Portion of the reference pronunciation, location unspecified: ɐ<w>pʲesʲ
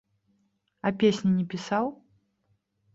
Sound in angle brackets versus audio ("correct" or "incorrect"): incorrect